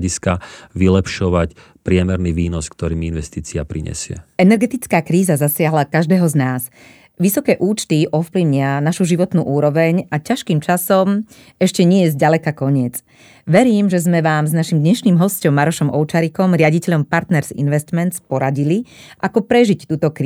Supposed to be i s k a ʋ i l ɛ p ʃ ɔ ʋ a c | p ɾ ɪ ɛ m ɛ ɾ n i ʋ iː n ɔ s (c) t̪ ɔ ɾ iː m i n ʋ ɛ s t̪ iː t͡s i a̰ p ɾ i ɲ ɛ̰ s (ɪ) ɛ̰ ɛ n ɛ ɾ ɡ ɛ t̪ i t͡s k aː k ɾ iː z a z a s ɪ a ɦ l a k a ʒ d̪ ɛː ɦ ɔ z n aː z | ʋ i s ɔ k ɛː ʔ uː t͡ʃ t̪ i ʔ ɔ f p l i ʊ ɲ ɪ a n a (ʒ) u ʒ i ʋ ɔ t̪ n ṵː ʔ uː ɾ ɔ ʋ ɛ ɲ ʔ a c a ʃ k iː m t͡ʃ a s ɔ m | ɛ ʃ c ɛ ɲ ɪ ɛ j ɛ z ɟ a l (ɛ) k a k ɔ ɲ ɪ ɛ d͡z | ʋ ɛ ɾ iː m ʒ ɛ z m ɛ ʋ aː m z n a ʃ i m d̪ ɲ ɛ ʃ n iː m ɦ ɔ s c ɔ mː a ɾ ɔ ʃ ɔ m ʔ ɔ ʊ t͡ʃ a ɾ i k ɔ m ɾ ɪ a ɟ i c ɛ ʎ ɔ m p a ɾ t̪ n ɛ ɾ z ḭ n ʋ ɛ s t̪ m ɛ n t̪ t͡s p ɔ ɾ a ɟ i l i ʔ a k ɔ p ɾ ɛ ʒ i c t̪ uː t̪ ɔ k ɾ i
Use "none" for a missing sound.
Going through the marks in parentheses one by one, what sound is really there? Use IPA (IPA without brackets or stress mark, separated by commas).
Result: k, ɪ, ʃ, ɛ